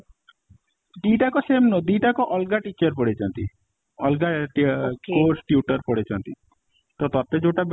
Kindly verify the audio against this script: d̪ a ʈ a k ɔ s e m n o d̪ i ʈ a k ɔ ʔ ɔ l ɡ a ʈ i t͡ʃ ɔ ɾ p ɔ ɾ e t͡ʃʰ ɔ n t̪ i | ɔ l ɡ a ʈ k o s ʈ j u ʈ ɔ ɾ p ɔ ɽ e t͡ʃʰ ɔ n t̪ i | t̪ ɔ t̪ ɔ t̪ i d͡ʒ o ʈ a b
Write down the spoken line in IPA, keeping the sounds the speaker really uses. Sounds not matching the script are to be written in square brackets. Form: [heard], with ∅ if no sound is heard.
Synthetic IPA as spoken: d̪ [i] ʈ a k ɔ s e m n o d̪ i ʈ a k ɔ ʔ ɔ l ɡ a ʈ i t͡ʃ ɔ ɾ p ɔ [ɽ] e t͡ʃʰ ɔ n t̪ i | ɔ l ɡ a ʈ k o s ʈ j u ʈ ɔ ɾ p ɔ ɽ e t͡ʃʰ ɔ n t̪ i | t̪ ɔ t̪ ɔ t̪ [e] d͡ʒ o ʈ a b